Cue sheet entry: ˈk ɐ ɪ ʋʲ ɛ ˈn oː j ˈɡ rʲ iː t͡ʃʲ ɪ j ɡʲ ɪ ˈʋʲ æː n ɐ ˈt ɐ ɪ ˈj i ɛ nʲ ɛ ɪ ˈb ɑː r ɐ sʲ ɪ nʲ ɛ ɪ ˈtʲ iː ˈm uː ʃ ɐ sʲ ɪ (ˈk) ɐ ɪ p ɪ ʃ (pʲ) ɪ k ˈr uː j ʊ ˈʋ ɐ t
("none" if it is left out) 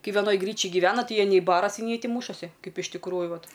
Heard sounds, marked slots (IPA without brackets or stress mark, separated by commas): k, tʲ